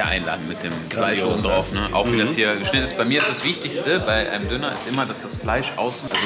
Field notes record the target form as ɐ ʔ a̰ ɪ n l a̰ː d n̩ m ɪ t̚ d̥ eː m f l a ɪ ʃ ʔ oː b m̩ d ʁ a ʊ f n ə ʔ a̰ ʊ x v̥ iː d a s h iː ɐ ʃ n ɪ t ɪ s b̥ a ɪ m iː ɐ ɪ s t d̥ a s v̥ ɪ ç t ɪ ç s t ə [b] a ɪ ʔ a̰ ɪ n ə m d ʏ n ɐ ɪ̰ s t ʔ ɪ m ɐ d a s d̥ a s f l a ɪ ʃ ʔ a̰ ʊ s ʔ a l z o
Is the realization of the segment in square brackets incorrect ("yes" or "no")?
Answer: no